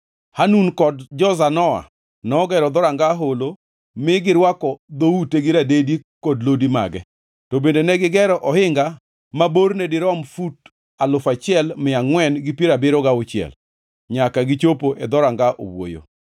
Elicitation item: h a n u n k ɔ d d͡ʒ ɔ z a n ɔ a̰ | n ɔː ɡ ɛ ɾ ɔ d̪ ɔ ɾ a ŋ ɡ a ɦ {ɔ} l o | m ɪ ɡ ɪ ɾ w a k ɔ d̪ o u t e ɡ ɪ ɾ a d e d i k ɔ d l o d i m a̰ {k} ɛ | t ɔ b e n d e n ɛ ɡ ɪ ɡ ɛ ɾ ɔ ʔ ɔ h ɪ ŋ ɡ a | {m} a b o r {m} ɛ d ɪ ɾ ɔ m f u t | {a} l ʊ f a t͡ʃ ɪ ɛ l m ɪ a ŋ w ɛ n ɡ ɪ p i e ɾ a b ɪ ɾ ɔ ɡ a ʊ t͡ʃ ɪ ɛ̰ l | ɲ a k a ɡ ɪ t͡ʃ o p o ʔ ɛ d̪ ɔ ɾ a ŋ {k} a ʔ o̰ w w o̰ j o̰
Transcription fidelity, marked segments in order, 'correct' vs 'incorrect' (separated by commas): incorrect, incorrect, correct, incorrect, correct, incorrect